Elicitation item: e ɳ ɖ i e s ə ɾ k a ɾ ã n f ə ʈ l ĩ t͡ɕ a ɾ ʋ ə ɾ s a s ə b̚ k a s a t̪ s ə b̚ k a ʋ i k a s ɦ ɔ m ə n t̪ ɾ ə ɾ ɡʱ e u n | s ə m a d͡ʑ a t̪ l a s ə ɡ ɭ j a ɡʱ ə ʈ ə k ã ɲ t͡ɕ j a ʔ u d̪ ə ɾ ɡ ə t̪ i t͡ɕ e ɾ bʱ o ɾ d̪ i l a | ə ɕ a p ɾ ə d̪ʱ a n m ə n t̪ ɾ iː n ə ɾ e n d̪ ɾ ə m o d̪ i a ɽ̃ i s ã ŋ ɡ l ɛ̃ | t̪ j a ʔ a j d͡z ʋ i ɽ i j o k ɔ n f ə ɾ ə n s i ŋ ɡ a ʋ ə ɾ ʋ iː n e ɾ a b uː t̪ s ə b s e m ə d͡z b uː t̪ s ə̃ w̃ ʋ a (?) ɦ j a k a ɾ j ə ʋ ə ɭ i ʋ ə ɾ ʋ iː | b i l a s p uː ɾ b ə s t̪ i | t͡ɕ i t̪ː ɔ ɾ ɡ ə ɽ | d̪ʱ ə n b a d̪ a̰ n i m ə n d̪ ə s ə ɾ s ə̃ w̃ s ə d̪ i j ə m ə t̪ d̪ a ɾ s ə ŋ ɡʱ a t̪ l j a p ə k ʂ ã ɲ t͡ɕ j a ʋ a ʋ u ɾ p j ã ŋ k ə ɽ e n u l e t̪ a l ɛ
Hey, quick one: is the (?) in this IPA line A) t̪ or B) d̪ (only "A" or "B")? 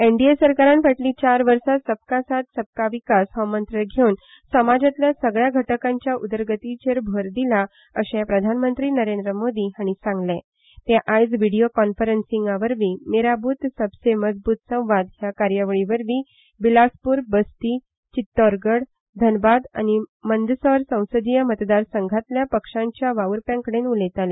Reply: B